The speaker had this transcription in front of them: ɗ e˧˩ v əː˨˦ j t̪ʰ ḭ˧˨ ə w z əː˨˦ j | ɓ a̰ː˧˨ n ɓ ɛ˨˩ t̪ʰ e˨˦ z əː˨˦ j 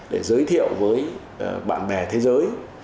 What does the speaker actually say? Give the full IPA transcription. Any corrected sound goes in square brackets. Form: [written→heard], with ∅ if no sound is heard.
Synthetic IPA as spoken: ɗ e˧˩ [v→z] əː˨˦ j t̪ʰ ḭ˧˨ ə w [z→v] əː˨˦ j | ɓ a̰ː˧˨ n ɓ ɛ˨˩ t̪ʰ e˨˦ z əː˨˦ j

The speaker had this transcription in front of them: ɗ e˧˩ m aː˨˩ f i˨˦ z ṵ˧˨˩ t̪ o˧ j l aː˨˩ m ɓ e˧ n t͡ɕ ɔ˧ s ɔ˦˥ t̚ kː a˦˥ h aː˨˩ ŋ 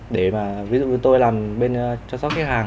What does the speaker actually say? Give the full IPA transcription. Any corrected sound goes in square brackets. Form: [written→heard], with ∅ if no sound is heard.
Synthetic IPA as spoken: ɗ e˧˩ m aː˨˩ [f→v] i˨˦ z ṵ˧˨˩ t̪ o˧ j l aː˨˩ m ɓ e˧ n t͡ɕ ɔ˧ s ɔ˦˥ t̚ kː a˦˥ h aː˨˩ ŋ

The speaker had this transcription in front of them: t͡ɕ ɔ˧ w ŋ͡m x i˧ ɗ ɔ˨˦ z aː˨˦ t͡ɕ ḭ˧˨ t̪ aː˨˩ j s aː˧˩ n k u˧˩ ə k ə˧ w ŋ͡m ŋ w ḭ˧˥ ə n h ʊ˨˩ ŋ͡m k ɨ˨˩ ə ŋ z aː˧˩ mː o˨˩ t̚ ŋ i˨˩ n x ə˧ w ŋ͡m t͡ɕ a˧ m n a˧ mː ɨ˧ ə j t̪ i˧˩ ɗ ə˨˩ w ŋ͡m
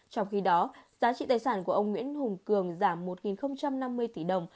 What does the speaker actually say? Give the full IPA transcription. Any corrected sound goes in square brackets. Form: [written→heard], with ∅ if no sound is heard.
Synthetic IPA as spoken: t͡ɕ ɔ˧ w ŋ͡m x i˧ ɗ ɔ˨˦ z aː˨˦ t͡ɕ ḭ˧˨ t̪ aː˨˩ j s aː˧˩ n k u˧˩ ə [k→ʔ] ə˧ w ŋ͡m ŋ w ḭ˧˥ ə n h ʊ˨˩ ŋ͡m k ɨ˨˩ ə ŋ z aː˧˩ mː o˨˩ t̚ ŋ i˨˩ n x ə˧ w ŋ͡m t͡ɕ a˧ m n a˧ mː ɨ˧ ə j t̪ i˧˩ ɗ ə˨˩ w ŋ͡m

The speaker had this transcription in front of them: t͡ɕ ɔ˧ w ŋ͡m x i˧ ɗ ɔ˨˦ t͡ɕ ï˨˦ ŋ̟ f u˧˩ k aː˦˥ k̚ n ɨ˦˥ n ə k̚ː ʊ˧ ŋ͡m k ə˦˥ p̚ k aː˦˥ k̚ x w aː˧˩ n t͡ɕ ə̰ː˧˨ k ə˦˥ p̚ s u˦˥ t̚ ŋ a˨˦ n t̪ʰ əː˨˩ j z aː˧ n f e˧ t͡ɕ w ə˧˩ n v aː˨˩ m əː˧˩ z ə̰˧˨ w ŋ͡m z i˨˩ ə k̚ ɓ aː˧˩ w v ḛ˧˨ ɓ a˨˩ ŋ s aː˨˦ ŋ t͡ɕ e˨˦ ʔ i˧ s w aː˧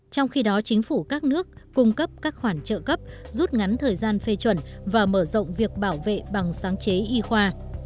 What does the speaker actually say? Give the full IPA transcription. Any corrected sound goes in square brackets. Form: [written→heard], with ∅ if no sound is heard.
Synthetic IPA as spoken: t͡ɕ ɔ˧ w ŋ͡m x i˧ ɗ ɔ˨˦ t͡ɕ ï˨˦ ŋ̟ f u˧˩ k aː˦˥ k̚ n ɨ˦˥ [n→∅] ə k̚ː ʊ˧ ŋ͡m k ə˦˥ p̚ k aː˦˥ k̚ x w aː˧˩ n t͡ɕ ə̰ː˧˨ k ə˦˥ p̚ [s→z] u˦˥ t̚ ŋ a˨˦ n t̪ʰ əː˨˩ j z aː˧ n f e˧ t͡ɕ w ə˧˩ n v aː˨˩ m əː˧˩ z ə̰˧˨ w ŋ͡m [z→v] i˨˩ ə k̚ ɓ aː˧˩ w v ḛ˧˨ ɓ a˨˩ ŋ s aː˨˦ ŋ t͡ɕ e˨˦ ʔ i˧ [s→x] w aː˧

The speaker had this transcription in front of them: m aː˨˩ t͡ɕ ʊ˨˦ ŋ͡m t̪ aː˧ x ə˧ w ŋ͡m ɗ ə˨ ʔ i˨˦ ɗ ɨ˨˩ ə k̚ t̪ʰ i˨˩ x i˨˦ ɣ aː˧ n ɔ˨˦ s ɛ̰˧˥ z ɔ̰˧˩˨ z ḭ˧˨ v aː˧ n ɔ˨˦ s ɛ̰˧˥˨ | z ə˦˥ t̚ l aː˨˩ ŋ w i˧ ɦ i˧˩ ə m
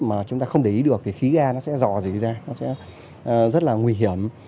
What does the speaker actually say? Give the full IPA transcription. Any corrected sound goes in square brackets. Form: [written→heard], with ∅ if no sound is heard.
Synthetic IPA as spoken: m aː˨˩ t͡ɕ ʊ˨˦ ŋ͡m t̪ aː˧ x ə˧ w ŋ͡m ɗ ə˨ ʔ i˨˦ ɗ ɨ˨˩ ə k̚ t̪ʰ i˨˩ x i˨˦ ɣ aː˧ n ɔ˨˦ s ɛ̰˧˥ z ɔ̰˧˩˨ z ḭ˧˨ [v→z] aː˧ n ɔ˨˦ s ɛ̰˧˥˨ | z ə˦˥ t̚ l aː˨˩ ŋ w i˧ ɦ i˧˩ ə m

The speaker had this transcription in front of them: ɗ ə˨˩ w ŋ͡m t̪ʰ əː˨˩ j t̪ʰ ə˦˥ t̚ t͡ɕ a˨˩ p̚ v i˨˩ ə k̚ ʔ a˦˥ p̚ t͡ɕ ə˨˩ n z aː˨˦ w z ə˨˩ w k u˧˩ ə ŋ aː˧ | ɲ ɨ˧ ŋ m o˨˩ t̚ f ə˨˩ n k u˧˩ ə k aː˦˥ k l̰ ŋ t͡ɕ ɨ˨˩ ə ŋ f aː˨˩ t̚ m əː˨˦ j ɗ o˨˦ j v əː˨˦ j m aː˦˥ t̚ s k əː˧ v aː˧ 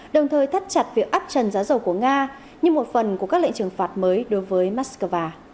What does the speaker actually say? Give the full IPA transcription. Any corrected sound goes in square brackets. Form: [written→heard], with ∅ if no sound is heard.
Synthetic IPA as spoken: ɗ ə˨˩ w ŋ͡m t̪ʰ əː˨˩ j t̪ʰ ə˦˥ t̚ t͡ɕ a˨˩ [p̚→t̚] v i˨˩ ə k̚ ʔ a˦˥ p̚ t͡ɕ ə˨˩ n z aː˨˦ w z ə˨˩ w k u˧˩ ə ŋ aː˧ | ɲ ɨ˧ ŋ m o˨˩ t̚ f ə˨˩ n k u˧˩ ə k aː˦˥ k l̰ ŋ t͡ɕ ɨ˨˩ ə ŋ f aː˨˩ t̚ m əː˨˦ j ɗ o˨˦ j v əː˨˦ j m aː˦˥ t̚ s k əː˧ v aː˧

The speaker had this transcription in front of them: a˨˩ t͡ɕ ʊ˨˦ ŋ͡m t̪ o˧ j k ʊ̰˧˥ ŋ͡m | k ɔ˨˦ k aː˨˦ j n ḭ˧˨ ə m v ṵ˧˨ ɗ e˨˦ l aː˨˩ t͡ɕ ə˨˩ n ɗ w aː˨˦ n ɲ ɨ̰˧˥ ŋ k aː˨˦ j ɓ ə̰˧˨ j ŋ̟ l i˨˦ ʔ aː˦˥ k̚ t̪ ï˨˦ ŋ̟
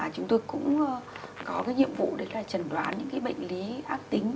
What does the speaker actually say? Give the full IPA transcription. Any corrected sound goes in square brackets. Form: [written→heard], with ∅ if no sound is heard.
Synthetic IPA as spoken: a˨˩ t͡ɕ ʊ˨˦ ŋ͡m t̪ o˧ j k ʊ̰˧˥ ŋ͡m | k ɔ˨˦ k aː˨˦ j [n→ɲ] ḭ˧˨ ə m v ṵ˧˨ ɗ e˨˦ l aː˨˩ t͡ɕ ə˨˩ n ɗ w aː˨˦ n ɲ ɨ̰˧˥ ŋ k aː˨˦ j ɓ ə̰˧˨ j ŋ̟ l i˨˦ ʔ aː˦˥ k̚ t̪ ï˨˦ ŋ̟

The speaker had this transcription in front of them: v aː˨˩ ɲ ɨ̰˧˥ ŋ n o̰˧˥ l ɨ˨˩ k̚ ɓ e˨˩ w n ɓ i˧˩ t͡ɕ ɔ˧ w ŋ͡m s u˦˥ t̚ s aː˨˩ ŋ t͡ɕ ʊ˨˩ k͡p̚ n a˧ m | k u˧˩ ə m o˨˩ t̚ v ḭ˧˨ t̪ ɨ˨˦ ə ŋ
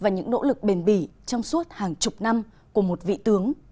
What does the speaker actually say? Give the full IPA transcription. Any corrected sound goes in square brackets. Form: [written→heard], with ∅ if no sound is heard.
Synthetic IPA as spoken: v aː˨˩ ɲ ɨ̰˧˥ ŋ n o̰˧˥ l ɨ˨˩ k̚ ɓ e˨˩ [w→∅] n ɓ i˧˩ t͡ɕ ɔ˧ w ŋ͡m s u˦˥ t̚ [s→h] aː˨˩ ŋ t͡ɕ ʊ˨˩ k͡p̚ n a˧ m | k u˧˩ ə m o˨˩ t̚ v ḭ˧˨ t̪ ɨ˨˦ ə ŋ

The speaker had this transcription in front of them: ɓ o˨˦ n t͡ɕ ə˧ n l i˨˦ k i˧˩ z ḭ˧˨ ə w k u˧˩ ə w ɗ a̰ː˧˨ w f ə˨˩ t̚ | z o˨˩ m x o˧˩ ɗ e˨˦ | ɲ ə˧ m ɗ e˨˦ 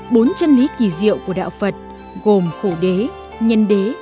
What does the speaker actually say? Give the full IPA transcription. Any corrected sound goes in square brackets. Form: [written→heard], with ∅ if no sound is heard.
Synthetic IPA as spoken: ɓ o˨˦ n t͡ɕ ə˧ n l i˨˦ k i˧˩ z ḭ˧˨ ə w k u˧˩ ə [w→∅] ɗ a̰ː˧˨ w f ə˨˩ t̚ | [z→ɣ] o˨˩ m x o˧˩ ɗ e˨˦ | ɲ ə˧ [m→n] ɗ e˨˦

